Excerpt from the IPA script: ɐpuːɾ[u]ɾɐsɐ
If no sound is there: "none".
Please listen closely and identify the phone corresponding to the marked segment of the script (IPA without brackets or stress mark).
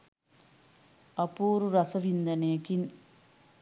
u